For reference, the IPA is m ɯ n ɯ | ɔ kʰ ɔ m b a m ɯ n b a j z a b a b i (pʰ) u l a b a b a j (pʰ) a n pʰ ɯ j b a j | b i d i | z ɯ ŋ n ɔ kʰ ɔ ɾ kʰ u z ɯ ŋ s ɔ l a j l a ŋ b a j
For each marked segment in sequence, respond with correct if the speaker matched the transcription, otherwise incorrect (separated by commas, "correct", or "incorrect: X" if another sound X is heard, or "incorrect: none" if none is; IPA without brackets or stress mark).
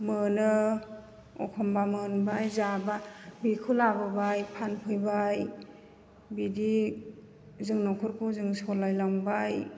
incorrect: kʰ, correct